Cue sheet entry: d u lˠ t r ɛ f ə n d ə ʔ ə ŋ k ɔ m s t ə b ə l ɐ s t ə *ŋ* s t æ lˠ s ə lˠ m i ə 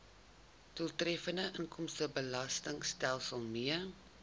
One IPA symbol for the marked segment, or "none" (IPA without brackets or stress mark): ŋ